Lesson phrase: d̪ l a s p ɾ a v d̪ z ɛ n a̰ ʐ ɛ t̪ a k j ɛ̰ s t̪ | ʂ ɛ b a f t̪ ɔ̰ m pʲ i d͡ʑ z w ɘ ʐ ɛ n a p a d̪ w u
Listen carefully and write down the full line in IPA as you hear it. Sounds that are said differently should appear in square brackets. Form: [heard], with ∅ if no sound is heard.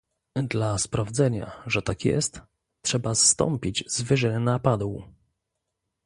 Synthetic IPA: d̪ l a s p ɾ a v d̪ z ɛ [ɲ] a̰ ʐ ɛ t̪ a k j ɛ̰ s t̪ | ʂ ɛ b a [s] t̪ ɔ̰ m pʲ i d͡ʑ z [v] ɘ ʐ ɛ n a p a d̪ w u